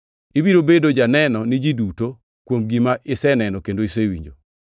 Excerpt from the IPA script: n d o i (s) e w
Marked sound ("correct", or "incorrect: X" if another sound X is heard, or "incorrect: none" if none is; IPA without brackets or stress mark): correct